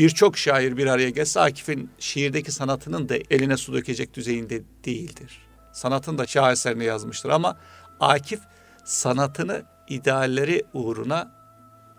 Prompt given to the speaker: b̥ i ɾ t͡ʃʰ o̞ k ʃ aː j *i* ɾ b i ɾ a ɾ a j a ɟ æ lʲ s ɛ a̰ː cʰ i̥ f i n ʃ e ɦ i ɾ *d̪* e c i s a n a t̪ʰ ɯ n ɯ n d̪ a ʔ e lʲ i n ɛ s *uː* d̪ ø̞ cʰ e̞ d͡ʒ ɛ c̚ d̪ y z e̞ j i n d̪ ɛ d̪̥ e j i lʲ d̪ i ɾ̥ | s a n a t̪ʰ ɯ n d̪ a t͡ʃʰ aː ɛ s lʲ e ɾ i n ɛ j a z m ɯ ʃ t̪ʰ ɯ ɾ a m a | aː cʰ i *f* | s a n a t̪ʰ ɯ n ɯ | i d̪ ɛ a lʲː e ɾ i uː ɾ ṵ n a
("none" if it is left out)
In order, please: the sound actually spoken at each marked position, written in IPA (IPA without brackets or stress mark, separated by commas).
i, d̪, u, f